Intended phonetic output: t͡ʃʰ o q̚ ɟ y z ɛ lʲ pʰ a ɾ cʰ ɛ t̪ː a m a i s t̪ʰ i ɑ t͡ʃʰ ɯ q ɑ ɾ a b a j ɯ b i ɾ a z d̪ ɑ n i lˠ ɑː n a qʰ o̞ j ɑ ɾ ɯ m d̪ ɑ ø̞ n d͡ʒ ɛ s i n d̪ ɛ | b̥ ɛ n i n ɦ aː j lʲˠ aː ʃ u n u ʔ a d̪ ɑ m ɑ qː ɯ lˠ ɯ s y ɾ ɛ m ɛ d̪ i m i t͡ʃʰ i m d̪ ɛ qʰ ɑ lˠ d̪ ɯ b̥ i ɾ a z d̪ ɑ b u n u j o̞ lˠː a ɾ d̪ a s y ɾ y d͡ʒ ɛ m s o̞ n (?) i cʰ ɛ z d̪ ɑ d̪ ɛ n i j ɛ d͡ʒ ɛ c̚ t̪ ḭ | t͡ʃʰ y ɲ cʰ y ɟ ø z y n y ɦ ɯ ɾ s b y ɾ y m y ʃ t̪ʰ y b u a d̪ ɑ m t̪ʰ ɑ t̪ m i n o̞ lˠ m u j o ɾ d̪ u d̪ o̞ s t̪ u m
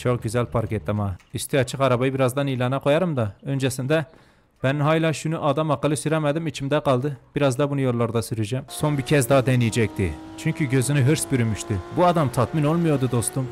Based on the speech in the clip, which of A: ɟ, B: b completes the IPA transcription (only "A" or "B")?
B